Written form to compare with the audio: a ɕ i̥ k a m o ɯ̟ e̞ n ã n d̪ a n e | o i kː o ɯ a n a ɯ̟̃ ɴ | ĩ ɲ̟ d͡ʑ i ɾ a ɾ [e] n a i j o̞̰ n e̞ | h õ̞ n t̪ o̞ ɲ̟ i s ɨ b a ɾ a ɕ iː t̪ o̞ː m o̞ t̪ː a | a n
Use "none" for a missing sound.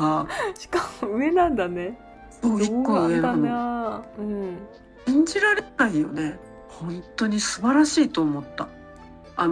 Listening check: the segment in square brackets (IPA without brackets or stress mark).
e